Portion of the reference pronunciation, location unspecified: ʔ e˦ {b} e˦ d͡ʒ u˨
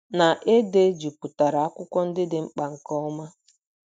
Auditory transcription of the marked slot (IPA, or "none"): d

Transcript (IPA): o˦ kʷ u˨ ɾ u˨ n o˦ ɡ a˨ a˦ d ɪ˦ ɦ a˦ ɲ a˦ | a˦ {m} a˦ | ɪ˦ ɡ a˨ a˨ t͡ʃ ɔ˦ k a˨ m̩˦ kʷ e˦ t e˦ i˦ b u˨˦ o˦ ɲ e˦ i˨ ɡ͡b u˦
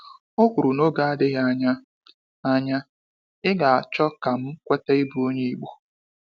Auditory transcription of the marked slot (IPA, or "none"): ɲ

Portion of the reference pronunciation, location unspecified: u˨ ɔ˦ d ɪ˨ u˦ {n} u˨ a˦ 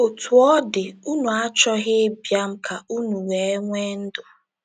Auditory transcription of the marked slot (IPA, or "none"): n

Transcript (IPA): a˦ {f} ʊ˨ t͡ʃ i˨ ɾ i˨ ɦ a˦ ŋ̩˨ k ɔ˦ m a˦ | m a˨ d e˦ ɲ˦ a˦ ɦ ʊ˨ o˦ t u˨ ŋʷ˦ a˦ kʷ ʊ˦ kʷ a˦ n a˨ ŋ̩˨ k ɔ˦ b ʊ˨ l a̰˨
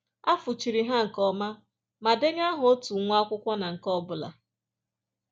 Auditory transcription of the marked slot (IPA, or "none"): f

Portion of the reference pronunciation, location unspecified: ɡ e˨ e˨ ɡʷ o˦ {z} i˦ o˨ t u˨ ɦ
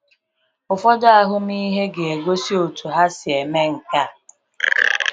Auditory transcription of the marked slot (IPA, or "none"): s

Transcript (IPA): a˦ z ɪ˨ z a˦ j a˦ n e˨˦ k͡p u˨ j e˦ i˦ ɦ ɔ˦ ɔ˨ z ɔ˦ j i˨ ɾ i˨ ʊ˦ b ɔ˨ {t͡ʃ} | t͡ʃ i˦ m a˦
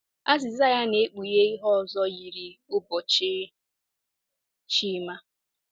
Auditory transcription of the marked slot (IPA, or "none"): t͡ʃ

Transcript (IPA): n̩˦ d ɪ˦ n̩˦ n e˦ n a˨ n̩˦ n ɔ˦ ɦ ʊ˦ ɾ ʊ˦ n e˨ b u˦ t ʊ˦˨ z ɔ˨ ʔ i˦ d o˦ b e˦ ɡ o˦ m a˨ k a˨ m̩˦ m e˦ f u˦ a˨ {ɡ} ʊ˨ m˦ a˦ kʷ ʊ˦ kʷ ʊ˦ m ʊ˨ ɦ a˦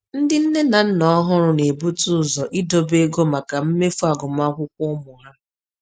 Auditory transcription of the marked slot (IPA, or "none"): ɡ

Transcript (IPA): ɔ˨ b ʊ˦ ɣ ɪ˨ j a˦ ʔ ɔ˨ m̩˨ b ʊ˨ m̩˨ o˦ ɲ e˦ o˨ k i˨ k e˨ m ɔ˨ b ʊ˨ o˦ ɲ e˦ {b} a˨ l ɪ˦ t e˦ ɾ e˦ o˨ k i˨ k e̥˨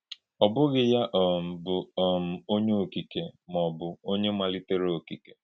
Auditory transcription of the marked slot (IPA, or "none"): m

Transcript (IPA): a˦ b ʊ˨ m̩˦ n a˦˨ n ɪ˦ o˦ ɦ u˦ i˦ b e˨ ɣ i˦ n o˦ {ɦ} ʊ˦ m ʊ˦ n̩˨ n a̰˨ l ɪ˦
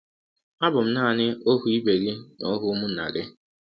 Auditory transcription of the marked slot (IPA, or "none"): ɦ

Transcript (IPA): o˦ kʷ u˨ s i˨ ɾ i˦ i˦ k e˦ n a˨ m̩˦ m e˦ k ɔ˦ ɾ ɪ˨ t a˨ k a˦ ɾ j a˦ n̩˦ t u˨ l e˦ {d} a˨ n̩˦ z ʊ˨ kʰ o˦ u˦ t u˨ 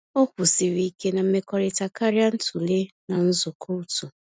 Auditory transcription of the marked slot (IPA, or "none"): n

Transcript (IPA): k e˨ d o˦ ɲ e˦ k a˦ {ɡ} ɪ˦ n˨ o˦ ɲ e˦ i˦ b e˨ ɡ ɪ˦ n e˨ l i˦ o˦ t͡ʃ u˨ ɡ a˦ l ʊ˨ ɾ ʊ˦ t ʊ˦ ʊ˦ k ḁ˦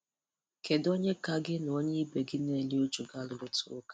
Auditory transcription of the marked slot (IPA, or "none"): ɡ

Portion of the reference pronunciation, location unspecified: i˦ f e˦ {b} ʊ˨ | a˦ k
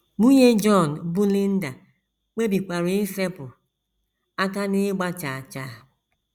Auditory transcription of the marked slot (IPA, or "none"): p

